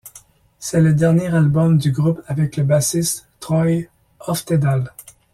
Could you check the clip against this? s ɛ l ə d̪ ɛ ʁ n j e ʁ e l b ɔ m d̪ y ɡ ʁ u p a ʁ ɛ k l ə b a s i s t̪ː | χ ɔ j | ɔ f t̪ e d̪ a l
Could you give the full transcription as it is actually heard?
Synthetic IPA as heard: s ɛ l ə d̪ ɛ ʁ n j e ʁ a l b ɔ m d̪ y ɡ ʁ u p a v ɛ k l ə b a s i s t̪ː | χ ɔ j | ɔ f t̪ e d̪ a l